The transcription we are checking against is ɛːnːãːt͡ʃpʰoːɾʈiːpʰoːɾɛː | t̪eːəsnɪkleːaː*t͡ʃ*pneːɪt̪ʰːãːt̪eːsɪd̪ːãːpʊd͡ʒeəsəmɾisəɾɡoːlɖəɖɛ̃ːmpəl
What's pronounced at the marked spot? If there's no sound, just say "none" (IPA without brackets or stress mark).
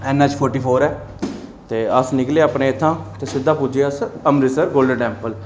none